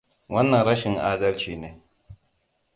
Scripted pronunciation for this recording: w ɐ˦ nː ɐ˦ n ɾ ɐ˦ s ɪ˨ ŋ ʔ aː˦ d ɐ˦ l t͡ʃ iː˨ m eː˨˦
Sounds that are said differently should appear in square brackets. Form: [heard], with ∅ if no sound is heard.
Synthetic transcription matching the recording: w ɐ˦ nː [ɐ˨] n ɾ ɐ˦ [ʃ] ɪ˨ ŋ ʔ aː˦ d ɐ˦ l t͡ʃ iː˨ [n] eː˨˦